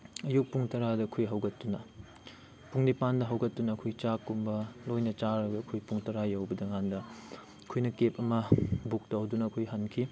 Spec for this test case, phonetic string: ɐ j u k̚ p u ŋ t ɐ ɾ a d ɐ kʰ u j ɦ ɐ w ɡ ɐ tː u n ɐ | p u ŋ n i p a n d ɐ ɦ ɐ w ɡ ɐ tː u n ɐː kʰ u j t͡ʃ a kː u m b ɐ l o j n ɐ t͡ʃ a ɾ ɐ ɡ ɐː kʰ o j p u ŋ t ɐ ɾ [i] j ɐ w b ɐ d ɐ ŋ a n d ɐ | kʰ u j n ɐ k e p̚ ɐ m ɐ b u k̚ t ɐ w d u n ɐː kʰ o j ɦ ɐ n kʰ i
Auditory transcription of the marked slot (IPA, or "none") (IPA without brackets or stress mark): a